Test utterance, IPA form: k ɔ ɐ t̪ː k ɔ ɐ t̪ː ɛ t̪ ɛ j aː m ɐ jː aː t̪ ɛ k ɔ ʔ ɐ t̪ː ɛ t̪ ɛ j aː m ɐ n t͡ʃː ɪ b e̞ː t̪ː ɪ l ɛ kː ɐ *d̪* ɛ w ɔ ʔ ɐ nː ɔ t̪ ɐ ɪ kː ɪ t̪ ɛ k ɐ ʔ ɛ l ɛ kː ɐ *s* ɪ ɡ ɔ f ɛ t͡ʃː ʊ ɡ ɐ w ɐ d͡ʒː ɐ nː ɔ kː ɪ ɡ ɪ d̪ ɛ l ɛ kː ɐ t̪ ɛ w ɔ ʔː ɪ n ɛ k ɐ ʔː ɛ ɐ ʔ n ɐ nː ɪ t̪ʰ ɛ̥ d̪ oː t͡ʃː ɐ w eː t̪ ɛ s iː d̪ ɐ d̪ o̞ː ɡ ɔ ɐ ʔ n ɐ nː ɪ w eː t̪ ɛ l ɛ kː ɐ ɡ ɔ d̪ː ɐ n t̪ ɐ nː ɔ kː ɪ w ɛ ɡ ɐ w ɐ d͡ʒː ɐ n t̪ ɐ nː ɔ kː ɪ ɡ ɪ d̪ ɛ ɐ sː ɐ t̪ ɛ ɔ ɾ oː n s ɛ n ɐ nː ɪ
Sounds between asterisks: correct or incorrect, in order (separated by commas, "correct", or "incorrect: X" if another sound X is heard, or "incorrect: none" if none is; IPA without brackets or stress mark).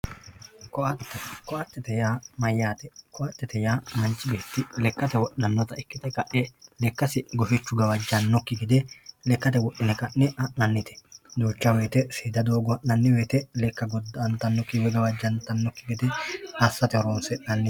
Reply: incorrect: t̪, correct